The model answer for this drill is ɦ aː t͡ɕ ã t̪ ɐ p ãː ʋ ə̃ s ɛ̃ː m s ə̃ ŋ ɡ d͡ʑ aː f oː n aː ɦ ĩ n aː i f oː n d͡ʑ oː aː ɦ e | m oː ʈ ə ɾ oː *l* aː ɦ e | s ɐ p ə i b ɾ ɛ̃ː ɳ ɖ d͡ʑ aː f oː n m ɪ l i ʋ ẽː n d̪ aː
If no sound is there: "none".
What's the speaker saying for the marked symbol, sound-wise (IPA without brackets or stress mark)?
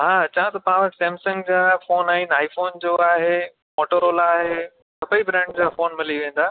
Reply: l